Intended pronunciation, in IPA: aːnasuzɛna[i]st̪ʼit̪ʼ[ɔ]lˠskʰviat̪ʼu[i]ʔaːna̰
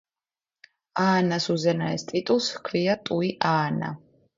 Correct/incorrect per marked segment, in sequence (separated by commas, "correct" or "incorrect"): incorrect, incorrect, correct